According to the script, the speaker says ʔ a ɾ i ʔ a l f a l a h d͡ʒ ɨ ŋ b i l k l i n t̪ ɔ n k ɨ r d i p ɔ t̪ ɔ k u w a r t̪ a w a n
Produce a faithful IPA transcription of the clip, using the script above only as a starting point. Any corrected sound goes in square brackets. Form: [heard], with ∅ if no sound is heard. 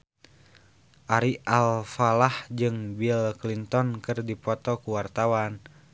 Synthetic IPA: ʔ a ɾ i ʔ a l f a l a h d͡ʒ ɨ ŋ b i l k l i n t̪ ɔ n k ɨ r d i p ɔ t̪ ɔ k u w a r t̪ a w a n

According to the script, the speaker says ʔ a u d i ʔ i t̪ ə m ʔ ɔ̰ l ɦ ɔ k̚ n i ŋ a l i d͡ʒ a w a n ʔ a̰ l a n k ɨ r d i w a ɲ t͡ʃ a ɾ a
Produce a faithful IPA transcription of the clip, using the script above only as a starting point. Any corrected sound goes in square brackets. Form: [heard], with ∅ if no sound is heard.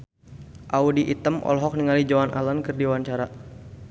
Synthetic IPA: ʔ a u d i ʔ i t̪ ə m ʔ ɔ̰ l ɦ ɔ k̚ n i ŋ a l i d͡ʒ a w a n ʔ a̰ l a n k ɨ r d i w a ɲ t͡ʃ a ɾ a

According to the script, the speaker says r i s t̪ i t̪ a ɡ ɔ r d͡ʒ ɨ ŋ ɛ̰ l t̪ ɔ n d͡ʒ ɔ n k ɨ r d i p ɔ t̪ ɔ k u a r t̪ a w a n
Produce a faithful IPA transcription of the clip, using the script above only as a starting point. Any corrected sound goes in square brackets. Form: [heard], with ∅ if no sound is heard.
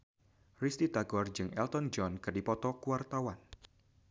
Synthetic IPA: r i s t̪ i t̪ a ɡ ɔ r d͡ʒ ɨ ŋ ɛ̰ l t̪ ɔ n d͡ʒ ɔ n k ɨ r d i p ɔ t̪ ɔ k u a r t̪ a w a n

